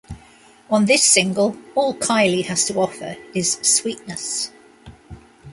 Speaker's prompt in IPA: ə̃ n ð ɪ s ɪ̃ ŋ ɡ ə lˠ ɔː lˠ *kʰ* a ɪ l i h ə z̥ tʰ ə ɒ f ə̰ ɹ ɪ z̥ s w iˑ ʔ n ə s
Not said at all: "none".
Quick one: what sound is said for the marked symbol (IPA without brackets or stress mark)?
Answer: kʰ